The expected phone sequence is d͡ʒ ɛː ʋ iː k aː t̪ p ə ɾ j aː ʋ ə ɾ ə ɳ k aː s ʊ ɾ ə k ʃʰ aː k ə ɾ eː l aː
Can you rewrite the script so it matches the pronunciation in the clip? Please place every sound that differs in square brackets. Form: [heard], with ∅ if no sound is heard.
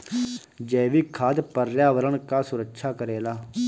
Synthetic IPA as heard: d͡ʒ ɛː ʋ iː [kʰ] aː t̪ p ə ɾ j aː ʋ ə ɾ ə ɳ k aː s ʊ ɾ ə k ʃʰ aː k ə ɾ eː l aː